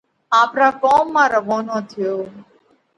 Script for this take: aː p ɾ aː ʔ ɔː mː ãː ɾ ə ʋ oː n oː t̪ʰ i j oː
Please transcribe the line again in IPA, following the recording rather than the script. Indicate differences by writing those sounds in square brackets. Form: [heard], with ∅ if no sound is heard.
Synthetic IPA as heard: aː p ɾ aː [k] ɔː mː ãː ɾ ə ʋ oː n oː t̪ʰ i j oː

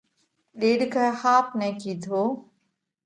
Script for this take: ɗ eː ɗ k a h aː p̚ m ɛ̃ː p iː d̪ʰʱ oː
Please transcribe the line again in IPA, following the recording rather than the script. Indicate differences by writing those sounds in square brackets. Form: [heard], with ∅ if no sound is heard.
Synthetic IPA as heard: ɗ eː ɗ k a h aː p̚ [n] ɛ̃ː [k] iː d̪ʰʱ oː

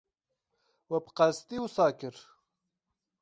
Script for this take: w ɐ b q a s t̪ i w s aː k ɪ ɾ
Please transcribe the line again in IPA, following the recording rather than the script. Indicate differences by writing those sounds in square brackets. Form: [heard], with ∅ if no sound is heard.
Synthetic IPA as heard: w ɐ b q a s t̪ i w s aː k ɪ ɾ

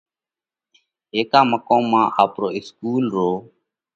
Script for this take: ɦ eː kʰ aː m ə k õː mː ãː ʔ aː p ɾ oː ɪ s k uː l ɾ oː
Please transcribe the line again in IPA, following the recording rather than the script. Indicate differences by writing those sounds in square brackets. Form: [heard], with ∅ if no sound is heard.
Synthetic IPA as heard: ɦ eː [k] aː m ə k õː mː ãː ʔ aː p ɾ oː ɪ s k uː l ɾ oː

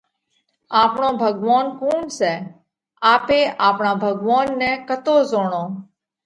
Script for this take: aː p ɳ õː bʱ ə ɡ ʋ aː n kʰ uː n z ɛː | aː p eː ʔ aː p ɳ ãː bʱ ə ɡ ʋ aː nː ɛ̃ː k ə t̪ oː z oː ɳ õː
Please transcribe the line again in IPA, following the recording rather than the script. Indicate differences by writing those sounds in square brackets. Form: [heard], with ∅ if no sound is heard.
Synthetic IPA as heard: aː p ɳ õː bʱ ə ɡ ʋ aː n [k] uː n [s] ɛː | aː p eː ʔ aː p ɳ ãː bʱ ə ɡ ʋ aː nː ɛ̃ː k ə t̪ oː z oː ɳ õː

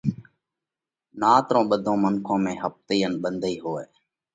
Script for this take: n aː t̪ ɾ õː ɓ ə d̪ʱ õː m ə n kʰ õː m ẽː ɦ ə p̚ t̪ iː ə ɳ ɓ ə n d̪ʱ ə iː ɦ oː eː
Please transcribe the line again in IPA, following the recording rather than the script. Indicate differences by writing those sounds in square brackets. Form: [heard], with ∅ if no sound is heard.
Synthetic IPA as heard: n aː t̪ ɾ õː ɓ ə d̪ʱ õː m ə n kʰ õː m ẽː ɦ ə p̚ t̪ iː ə [n] ɓ ə n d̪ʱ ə iː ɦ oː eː

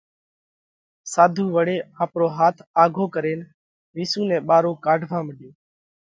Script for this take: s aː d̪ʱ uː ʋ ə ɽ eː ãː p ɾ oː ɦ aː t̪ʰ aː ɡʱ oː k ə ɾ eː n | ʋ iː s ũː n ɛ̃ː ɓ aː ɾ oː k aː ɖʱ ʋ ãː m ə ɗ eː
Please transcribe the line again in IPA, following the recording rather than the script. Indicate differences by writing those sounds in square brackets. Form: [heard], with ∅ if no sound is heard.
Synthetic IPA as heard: s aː d̪ʱ uː ʋ ə ɽ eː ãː p ɾ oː ɦ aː t̪ʰ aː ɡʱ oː k ə ɾ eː n | ʋ iː s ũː n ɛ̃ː ɓ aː ɾ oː k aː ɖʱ ʋ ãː m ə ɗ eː

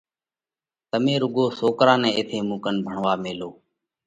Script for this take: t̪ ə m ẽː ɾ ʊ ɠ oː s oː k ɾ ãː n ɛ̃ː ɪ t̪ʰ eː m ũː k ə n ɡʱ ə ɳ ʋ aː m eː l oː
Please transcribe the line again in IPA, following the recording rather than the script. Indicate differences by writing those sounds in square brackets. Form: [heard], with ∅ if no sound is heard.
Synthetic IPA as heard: t̪ ə m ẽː ɾ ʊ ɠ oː s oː k ɾ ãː n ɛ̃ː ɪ t̪ʰ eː m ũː k ə n [bʱ] ə ɳ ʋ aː m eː l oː

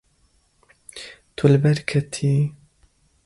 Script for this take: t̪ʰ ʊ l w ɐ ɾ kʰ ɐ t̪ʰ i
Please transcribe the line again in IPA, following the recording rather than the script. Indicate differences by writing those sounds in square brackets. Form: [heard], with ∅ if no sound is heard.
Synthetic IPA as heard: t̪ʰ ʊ l [b] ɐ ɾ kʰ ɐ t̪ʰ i

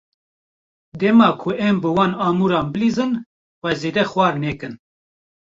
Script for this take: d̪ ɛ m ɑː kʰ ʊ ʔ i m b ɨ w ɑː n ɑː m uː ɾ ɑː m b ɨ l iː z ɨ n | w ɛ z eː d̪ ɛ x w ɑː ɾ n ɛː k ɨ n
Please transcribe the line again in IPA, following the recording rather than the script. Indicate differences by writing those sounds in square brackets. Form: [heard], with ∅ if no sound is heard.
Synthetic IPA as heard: d̪ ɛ m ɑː kʰ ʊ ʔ [ɛ] m b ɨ w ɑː n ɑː m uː ɾ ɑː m b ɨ l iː z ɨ n | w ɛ z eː d̪ ɛ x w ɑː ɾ n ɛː k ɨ n

